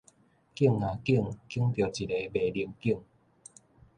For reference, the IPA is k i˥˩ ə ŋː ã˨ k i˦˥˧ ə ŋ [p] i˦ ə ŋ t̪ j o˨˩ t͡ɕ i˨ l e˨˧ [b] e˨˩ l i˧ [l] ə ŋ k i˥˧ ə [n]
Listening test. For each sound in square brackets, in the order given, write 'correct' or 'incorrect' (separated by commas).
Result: incorrect, correct, incorrect, incorrect